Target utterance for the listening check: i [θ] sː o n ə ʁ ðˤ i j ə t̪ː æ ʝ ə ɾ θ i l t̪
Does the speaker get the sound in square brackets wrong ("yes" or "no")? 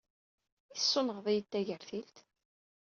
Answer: yes